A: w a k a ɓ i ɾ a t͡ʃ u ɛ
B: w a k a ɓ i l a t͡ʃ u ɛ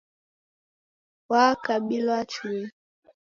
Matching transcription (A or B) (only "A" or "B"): B